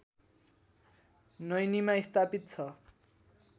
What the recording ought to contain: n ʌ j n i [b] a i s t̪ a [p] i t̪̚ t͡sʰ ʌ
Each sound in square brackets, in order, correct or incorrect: incorrect: m, correct

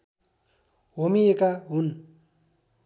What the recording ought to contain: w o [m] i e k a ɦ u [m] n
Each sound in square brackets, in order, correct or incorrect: correct, incorrect: none

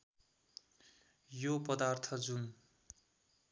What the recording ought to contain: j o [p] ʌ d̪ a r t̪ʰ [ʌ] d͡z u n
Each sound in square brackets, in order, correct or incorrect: correct, correct

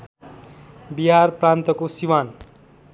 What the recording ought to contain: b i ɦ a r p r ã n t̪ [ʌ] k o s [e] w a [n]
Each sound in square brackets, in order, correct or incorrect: correct, incorrect: i, correct

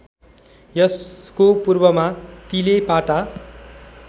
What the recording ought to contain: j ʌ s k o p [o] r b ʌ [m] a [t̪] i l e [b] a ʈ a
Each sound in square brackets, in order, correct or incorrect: incorrect: u, correct, correct, incorrect: p

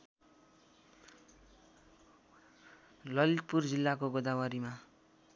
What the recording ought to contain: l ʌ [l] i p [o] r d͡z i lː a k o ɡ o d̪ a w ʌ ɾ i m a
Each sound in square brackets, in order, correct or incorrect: correct, incorrect: u

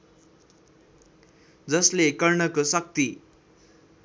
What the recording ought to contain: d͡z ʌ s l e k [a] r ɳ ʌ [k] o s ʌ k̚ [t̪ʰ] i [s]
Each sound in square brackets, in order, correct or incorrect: incorrect: ʌ, correct, incorrect: t̪, incorrect: none

